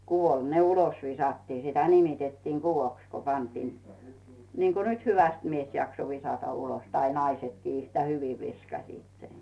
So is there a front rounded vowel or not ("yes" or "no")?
yes